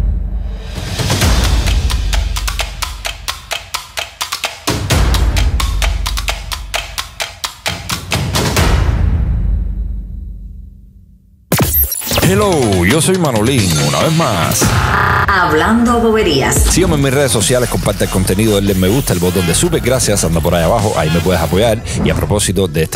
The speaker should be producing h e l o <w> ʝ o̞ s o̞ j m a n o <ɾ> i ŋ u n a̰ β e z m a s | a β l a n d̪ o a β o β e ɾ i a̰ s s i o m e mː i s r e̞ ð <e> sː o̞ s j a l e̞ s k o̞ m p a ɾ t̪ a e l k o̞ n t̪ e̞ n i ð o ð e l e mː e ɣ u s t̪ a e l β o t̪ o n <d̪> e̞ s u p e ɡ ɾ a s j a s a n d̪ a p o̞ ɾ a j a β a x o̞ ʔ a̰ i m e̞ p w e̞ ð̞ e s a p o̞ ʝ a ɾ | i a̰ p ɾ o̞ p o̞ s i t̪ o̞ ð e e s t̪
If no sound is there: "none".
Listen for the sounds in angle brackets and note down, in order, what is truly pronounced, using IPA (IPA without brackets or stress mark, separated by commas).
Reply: w, l, e, d̪